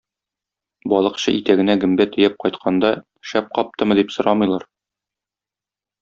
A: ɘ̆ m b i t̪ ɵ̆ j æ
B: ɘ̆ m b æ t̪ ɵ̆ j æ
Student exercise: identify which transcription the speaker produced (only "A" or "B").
B